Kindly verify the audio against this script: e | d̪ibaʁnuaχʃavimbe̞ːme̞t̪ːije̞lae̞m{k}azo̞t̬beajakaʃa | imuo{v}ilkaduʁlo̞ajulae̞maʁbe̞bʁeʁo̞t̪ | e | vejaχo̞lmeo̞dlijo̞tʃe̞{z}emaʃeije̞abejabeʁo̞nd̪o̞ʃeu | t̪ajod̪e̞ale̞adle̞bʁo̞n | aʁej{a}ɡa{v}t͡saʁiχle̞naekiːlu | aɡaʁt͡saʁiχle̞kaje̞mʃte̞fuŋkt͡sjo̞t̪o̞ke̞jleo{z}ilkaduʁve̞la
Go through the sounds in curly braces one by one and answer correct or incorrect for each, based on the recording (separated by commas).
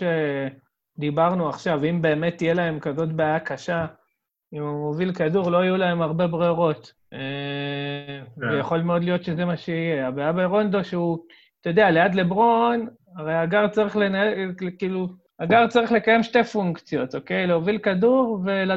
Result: correct, correct, correct, correct, incorrect, incorrect